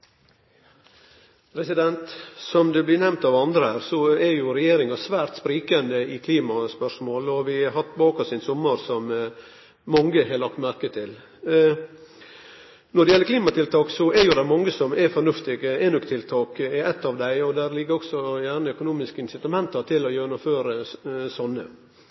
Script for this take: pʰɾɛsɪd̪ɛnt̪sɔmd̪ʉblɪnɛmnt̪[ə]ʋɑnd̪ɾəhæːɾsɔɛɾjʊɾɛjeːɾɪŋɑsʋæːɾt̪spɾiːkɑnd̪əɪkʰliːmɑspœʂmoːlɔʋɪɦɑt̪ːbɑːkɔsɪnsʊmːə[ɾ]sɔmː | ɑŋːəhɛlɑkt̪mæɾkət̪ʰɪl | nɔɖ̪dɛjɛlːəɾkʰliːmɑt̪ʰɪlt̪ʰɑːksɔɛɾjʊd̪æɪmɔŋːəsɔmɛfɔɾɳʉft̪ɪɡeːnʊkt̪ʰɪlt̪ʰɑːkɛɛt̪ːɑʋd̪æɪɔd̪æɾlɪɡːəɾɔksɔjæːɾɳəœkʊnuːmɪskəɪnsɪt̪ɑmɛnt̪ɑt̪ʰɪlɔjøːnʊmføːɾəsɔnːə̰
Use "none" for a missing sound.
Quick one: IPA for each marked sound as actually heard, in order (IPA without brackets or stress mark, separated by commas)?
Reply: ɑ, ɾ